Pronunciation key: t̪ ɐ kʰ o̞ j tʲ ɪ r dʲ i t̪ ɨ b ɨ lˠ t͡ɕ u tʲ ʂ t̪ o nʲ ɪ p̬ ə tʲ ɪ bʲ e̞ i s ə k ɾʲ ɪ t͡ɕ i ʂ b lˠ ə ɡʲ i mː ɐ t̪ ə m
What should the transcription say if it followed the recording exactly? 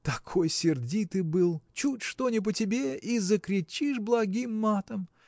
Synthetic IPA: t̪ ɐ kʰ o̞ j sʲ ɪ r dʲ i t̪ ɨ b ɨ lˠ t͡ɕ u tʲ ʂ t̪ o nʲ ɪ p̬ ə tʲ ɪ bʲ e̞ i z ə k ɾʲ ɪ t͡ɕ i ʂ b lˠ ɐ ɡʲ i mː a t̪ ə m

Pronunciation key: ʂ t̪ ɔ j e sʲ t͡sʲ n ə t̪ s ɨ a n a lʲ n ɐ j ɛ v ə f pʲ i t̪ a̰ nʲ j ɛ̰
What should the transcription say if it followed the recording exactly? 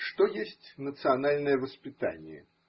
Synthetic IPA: ʂ t̪ ɔ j e sʲ t͡sʲ n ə t̪ s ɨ a n a lʲ n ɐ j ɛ v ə s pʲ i t̪ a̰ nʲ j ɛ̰

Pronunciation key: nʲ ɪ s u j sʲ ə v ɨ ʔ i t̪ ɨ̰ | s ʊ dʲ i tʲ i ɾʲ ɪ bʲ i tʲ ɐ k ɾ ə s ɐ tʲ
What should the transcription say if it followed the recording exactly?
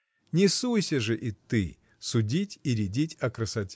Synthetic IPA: nʲ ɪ s u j sʲ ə ʐ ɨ ʔ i t̪ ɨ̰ | s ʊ dʲ i tʲ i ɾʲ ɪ dʲ i tʲ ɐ k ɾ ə s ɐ tʲ

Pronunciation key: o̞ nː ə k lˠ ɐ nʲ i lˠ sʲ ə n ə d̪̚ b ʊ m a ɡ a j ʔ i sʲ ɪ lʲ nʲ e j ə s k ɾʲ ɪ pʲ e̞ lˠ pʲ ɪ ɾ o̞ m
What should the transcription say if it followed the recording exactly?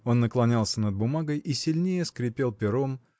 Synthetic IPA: o̞ nː ə k lˠ ɐ nʲ a lˠ sʲ ə n ə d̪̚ b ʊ m a ɡ ə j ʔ i sʲ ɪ lʲ nʲ e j ə s k ɾʲ ɪ pʲ e̞ lˠ pʲ ɪ ɾ o̞ m

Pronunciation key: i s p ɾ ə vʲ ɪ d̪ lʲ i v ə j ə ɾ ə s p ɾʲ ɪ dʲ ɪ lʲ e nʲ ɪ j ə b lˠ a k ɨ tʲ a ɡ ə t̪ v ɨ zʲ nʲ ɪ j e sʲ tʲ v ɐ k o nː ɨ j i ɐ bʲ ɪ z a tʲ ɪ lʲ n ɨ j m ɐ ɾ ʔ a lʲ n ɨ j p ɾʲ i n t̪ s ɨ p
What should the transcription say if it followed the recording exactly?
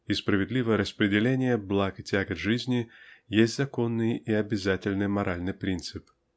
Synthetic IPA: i s p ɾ ə vʲ ɪ d̪ lʲ i v ə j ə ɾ ə s p ɾʲ ɪ dʲ ɪ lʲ e nʲ ɪ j ə b lˠ a k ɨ tʲ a ɡ ə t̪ ʐ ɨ zʲ nʲ ɪ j e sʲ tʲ z ɐ k o nː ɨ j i ɐ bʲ ɪ z a tʲ ɪ lʲ n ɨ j m ɐ ɾ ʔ a lʲ n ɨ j p ɾʲ i n t̪ s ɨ p

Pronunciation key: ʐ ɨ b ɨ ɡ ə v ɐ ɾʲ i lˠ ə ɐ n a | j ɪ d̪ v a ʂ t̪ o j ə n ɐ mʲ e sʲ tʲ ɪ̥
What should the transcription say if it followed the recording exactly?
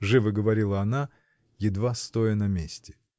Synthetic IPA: ʐ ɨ v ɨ ɡ ə v ɐ ɾʲ i lˠ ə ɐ n a | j ɪ d̪ v a s t̪ o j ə n ɐ mʲ e sʲ tʲ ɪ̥

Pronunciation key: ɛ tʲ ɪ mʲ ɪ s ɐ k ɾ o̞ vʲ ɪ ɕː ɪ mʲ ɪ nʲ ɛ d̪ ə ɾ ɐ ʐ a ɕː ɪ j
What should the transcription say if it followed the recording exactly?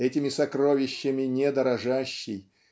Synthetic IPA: ɛ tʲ ɪ mʲ ɪ s ɐ k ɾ o̞ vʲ ɪ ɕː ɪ mʲ ɪ nʲ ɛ d̪ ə ɾ ɐ ʐ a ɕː ɪ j

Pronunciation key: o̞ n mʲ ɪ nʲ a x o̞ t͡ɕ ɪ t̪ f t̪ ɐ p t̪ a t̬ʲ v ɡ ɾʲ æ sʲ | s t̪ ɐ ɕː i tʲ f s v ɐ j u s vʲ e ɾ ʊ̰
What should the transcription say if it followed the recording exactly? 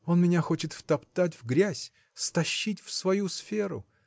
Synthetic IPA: o̞ n mʲ ɪ nʲ a x o̞ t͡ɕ ɪ t̪ f t̪ ɐ p t̪ a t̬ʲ v ɡ ɾʲ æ sʲ | s t̪ ɐ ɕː i tʲ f s v ɐ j u s fʲ e ɾ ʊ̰

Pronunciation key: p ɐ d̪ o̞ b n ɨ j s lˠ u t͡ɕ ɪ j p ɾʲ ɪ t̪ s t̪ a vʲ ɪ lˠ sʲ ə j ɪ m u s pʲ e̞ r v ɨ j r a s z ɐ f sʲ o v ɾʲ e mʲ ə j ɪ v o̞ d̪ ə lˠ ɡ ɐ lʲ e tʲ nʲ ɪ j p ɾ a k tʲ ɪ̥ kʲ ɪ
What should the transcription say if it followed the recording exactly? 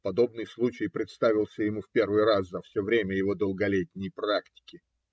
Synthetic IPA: p ɐ d̪ o̞ b n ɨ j s lˠ u t͡ɕ ɪ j p ɾʲ ɪ t̪ s t̪ a vʲ ɪ lˠ sʲ ə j ɪ m u f pʲ e̞ r v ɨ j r a s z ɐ f sʲ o v ɾʲ e mʲ ə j ɪ v o̞ d̪ ə lˠ ɡ ɐ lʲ e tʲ nʲ ɪ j p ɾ a k tʲ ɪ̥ kʲ ɪ

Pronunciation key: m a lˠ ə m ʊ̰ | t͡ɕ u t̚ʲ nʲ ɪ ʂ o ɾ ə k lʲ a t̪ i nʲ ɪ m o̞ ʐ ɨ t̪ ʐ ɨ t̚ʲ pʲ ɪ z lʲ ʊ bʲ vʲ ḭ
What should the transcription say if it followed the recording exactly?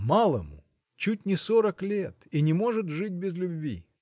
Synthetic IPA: m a lˠ ə m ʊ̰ | t͡ɕ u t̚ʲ nʲ ɪ s o ɾ ə k lʲ e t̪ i nʲ ɪ m o̞ ʐ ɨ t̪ ʐ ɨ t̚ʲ bʲ ɪ z lʲ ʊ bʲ vʲ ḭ

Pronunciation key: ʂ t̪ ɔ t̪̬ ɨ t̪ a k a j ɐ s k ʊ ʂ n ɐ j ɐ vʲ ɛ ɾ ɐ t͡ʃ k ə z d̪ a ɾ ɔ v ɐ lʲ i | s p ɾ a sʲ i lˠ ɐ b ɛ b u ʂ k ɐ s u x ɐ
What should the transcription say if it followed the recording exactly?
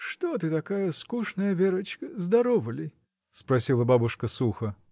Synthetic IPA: ʂ t̪ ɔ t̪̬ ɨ t̪ a k a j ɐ s k u ʂ n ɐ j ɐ vʲ ɛ ɾ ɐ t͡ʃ k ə z d̪ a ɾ ɔ v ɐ lʲ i | s p ɾ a sʲ i lˠ ɐ b a b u ʂ k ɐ s u x ɐ

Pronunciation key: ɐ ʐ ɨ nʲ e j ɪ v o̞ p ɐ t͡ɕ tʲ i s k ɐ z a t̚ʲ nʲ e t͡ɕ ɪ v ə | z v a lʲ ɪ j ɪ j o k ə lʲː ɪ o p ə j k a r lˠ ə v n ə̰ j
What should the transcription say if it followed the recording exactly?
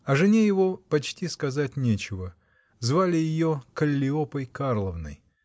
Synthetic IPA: ɐ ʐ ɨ nʲ e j ɪ v o̞ p ɐ t͡ɕ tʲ i s k ɐ z a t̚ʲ nʲ e t͡ɕ ɪ v ə | z v a lʲ ɪ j ɪ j o k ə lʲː ɪ o p ə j k a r lˠ ə v n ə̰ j

